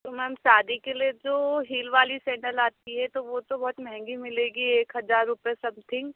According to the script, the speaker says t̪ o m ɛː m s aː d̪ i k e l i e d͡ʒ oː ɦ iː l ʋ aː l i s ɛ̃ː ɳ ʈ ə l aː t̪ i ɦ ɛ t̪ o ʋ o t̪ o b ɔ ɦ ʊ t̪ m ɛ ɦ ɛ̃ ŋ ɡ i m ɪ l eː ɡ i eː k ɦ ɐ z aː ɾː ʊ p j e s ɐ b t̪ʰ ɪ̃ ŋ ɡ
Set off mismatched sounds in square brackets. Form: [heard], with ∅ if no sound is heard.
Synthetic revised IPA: t̪ o m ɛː m s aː d̪ i k e l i e d͡ʒ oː ɦ iː l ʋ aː l i s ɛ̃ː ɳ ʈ ə l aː t̪ i ɦ ɛ t̪ o ʋ o t̪ o b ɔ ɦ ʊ t̪ m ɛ ɦ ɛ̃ ŋ ɡ i m ɪ l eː ɡ i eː k ɦ ɐ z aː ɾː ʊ p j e s ɐ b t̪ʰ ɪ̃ ŋ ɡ